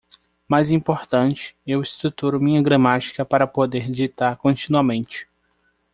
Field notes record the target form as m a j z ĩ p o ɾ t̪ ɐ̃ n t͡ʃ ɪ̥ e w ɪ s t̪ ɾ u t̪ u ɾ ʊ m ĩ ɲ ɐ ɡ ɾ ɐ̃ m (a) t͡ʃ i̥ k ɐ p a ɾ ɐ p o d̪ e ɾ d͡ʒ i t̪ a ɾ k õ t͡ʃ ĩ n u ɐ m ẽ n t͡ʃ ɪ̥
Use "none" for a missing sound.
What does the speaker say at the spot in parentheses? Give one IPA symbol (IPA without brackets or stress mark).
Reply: a